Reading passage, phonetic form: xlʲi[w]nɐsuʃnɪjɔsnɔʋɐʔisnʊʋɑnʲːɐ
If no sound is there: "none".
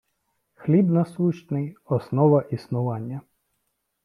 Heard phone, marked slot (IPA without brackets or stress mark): b